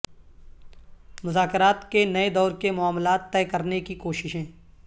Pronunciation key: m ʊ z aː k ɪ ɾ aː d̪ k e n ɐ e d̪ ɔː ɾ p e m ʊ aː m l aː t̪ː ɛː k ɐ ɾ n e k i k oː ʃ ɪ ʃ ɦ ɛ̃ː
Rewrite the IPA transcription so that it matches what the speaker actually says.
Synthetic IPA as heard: m ʊ z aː k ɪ ɾ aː t̪ k e n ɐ e d̪ ɔː ɾ k e m ʊ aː m l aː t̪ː ɛː k ɐ ɾ n e k i k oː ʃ ɪ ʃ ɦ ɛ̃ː